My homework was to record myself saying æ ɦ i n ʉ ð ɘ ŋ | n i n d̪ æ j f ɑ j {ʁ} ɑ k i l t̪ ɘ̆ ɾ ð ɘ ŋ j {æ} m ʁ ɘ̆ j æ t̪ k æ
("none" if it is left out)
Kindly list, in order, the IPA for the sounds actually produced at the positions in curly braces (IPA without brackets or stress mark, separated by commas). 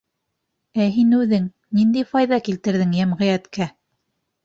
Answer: ð, æ